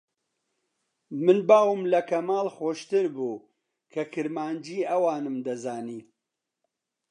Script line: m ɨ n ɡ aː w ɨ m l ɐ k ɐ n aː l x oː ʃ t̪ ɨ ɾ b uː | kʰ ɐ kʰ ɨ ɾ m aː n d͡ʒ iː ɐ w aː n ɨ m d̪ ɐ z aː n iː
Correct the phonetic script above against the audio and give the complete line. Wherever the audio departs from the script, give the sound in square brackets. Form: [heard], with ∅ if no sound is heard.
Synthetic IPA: m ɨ n [b] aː w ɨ m l ɐ k ɐ [m] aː l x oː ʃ t̪ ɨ ɾ b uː | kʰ ɐ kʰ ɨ ɾ m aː n d͡ʒ iː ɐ w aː n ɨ m d̪ ɐ z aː n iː